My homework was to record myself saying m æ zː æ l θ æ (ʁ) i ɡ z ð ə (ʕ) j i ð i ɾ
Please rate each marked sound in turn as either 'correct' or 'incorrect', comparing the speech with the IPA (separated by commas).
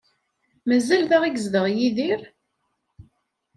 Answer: correct, incorrect